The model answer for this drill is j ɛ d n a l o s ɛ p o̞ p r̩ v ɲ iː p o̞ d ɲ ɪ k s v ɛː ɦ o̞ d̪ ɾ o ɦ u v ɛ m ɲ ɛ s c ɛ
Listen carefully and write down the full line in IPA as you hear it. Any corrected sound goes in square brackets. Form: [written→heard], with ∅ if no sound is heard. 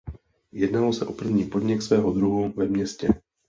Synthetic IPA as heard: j ɛ d n a l o s ɛ [p→ʔ] o̞ p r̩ v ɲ iː p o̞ d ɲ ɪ k s v ɛː ɦ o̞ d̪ ɾ [o→u] ɦ u v ɛ m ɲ ɛ s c ɛ